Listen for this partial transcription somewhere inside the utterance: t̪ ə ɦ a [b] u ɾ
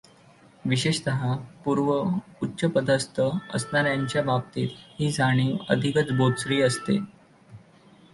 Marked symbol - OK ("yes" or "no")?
no